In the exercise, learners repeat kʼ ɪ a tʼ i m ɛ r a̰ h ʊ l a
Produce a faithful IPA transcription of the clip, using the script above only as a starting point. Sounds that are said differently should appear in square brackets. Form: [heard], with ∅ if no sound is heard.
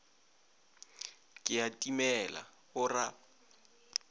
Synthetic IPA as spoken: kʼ ɪ a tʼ i m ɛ [l] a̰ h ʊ [r] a

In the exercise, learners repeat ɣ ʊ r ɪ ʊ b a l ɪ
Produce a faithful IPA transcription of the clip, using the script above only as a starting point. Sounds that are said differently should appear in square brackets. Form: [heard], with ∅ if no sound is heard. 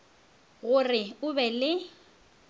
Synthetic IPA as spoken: ɣ ʊ r ɪ ʊ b [ɛ] l ɪ

